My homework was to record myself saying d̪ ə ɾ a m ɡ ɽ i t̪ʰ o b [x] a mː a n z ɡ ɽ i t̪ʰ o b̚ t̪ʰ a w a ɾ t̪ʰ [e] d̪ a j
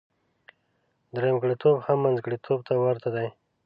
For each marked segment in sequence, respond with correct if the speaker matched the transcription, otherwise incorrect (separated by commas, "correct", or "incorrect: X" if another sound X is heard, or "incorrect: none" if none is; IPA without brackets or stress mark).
incorrect: h, incorrect: a